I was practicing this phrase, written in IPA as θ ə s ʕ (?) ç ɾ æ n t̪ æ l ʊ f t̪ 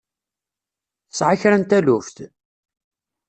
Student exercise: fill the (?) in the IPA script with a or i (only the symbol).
a